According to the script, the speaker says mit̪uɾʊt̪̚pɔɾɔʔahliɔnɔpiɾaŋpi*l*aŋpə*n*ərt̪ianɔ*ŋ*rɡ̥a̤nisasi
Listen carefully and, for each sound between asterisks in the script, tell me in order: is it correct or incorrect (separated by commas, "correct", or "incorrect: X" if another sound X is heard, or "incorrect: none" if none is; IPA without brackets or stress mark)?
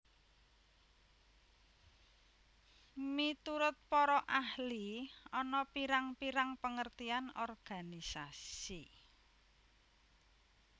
incorrect: ɾ, incorrect: ŋ, incorrect: none